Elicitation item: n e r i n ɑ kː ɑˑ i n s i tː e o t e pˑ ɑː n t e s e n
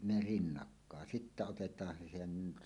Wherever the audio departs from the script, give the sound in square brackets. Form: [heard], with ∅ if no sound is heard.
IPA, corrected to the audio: n e r i [nː] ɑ kː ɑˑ [e] n s i tː [æ] o t e [tˑ] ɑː n [s] e s e n